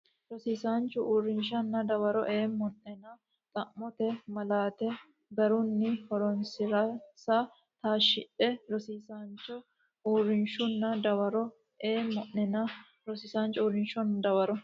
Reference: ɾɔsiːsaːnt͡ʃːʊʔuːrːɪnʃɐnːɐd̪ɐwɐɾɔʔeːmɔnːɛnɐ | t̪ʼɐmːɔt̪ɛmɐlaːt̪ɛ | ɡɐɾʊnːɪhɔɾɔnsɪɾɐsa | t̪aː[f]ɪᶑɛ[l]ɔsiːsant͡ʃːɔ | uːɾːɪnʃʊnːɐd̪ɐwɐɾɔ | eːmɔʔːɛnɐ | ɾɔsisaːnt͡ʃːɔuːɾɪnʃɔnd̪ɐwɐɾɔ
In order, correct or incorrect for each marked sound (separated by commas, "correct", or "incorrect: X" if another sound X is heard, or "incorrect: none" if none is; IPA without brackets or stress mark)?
incorrect: ʃ, incorrect: ɾ